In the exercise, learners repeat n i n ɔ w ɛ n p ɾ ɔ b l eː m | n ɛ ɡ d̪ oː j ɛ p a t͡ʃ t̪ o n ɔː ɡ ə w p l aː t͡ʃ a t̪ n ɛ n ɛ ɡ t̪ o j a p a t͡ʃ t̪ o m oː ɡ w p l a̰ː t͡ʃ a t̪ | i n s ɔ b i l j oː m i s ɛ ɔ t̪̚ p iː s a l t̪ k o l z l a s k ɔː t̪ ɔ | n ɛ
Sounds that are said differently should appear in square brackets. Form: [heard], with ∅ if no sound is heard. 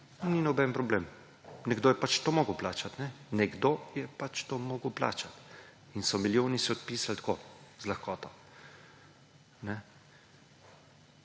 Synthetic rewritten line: n i n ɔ [b] ɛ n p ɾ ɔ b l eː m | n ɛ ɡ d̪ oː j ɛ p a t͡ʃ t̪ o [m] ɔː ɡ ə w p l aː t͡ʃ a t̪ n ɛ n ɛ ɡ [d̪] o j [ɛ] p a t͡ʃ t̪ o m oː ɡ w p l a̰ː t͡ʃ a t̪ | i n s ɔ [m] i l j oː [n] i s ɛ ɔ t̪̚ p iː s a l t̪ k o [∅] z l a [x] k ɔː t̪ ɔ | n ɛ